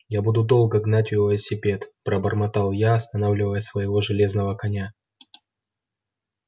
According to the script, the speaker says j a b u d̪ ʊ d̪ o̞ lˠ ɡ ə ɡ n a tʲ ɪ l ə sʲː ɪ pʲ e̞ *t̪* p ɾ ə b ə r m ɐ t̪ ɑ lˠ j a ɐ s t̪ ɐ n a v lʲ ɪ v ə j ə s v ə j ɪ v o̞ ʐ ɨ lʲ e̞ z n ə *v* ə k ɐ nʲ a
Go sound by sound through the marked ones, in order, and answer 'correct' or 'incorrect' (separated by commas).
correct, correct